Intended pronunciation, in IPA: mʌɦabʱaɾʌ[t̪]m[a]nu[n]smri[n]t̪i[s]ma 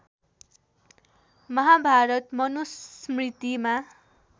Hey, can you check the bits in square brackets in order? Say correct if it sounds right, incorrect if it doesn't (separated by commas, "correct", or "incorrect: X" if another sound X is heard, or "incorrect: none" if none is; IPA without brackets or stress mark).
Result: correct, incorrect: ʌ, incorrect: none, incorrect: none, incorrect: none